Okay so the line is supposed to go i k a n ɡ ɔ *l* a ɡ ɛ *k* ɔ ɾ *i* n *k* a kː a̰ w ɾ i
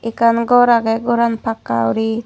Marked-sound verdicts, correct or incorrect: incorrect: ɾ, incorrect: ɡ, incorrect: a, incorrect: p

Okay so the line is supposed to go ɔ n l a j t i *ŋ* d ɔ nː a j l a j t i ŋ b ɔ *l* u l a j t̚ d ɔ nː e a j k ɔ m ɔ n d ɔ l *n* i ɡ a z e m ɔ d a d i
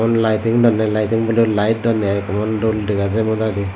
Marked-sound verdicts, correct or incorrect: correct, correct, incorrect: d

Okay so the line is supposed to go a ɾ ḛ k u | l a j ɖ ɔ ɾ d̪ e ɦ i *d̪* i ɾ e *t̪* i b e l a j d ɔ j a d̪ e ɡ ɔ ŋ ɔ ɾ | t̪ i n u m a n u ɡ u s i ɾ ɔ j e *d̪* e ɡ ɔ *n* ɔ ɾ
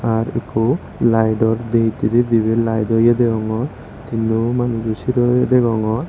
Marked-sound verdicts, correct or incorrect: incorrect: t̪, incorrect: d̪, correct, incorrect: ŋ

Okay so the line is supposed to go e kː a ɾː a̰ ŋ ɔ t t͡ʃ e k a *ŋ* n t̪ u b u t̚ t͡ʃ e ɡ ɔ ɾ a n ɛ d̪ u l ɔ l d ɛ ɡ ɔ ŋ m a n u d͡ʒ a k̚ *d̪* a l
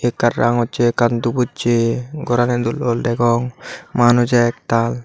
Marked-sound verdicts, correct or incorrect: incorrect: none, incorrect: t̪

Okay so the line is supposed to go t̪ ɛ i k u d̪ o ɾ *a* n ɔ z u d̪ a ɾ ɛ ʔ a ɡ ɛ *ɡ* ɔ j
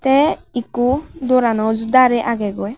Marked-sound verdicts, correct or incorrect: correct, correct

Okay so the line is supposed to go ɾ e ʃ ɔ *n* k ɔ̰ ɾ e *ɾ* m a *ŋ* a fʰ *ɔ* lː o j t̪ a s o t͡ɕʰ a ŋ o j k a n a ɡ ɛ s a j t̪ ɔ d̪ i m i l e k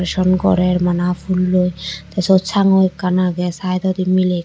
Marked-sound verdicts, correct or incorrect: correct, correct, incorrect: n, incorrect: u

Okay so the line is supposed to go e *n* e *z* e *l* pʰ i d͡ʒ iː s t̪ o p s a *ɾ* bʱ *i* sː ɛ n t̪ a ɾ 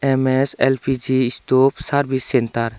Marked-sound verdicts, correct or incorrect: incorrect: m, incorrect: s, correct, correct, correct

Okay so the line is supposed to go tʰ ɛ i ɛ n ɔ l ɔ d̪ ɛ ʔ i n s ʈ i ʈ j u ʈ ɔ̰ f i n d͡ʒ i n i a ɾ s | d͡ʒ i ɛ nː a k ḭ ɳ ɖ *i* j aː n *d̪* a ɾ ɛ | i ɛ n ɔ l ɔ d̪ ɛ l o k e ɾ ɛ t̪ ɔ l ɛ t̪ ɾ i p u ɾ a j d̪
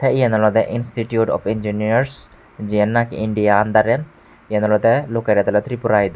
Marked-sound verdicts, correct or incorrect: correct, correct

